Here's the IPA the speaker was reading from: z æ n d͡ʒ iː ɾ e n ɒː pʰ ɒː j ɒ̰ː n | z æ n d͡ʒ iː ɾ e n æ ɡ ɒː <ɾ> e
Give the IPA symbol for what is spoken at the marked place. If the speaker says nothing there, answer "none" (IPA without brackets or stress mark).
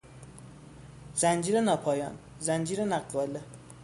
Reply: l